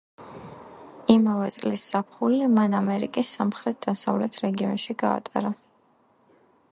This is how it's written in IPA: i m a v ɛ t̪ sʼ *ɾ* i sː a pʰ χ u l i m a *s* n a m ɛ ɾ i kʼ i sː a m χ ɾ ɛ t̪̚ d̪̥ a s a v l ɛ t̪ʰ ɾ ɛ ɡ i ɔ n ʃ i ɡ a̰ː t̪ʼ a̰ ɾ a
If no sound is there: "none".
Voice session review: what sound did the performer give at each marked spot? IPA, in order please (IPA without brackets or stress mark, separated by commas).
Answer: l, none